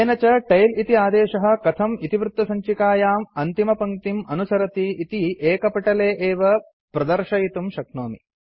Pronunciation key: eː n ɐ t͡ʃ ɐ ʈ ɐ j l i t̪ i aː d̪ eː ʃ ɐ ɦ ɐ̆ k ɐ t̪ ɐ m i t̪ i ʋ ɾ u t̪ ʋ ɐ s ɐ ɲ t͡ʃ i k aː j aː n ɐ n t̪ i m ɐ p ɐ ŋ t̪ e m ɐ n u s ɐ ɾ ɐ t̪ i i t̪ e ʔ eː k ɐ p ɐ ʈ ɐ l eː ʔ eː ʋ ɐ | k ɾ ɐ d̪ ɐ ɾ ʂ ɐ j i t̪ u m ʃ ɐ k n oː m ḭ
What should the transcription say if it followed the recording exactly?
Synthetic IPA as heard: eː n ɐ t͡ʃ ɐ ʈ ɐ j l i t̪ i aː d̪ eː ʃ ɐ ɦ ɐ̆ k ɐ t̪ʰ ɐ m i t̪ i ʋ ɾ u t̪ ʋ ɐ s ɐ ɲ t͡ʃ i k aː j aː m ɐ n t̪ i m ɐ p ɐ ŋ t̪ i m ɐ n u s ɐ ɾ ɐ t̪ i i t̪ i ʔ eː k ɐ p ɐ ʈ ɐ l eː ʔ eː ʋ ɐ | p ɾ ɐ d̪ ɐ ɾ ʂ ɐ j i t̪ u m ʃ ɐ k n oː m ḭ